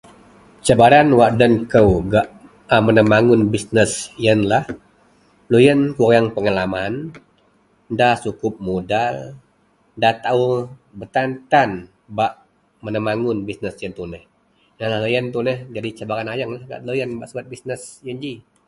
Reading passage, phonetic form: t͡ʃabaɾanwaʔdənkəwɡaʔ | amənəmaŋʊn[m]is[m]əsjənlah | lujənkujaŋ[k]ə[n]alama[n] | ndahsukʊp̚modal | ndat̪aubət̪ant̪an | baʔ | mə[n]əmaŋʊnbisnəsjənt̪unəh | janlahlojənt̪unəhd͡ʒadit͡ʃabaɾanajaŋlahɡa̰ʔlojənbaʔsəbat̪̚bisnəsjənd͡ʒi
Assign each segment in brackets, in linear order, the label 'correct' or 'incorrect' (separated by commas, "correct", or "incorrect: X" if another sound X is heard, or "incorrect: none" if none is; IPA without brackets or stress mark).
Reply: incorrect: b, incorrect: n, incorrect: p, incorrect: ŋ, correct, correct